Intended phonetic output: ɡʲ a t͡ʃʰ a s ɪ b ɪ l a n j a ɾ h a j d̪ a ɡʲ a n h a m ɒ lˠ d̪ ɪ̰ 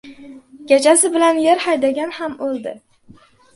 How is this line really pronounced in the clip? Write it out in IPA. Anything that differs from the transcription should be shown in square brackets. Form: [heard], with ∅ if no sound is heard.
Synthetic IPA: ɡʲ a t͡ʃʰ a s ɪ b ɪ l a n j [e] ɾ h a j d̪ a ɡʲ a n h a m [o] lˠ d̪ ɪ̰